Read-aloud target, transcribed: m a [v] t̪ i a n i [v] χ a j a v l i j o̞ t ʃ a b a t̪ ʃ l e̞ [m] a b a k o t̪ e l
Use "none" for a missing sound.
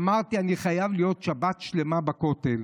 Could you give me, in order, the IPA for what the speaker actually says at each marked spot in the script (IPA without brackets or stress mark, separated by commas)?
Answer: ʁ, none, m